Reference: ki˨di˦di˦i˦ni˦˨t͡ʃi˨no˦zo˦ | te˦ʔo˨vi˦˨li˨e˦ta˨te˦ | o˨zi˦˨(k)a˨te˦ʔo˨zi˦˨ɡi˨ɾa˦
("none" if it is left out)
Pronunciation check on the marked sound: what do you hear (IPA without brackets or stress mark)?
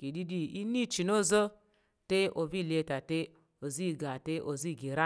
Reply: ɡ